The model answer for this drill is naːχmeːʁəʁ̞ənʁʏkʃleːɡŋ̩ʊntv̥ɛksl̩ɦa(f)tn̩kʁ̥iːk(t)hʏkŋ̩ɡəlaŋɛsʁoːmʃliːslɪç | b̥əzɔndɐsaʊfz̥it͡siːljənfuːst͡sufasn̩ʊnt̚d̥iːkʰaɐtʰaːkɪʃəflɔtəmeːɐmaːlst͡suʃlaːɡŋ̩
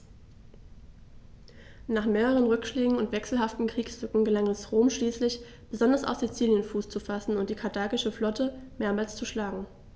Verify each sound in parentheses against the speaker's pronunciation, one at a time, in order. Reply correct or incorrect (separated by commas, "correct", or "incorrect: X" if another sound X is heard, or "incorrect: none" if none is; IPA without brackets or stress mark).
correct, incorrect: s